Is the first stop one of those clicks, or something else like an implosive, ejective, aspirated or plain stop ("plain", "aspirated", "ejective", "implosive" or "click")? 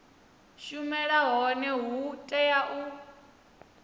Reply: ejective